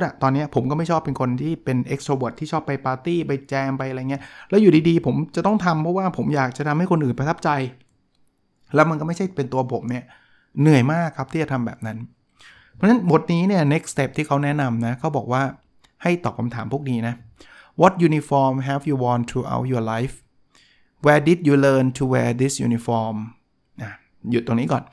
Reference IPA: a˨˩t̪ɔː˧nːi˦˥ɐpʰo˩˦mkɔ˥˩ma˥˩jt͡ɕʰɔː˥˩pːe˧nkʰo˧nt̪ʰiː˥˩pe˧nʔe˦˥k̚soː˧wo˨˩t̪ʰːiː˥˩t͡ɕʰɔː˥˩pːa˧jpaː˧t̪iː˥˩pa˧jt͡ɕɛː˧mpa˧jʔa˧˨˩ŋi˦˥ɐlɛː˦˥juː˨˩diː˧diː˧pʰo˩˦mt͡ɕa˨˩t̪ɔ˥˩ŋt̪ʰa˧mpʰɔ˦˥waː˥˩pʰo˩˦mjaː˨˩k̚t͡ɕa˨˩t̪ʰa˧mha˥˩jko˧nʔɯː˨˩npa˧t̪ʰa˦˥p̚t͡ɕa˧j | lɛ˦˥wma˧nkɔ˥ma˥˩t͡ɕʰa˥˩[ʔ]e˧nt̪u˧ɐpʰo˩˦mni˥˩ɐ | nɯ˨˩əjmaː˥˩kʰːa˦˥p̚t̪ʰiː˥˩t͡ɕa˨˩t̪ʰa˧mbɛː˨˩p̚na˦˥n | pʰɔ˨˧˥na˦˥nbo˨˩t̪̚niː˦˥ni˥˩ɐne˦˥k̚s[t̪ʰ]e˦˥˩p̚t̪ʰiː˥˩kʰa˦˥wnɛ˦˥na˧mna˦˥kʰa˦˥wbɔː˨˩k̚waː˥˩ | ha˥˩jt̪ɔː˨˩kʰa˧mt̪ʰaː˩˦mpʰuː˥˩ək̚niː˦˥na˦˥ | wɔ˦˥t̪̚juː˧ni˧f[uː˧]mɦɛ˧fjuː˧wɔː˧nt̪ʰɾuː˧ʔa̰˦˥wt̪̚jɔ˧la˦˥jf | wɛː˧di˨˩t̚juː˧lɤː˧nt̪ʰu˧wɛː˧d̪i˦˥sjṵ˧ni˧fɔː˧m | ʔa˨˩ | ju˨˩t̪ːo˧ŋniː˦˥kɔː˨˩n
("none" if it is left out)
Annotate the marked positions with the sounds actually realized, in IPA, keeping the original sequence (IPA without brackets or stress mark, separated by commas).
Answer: p, t̪, ɔː˧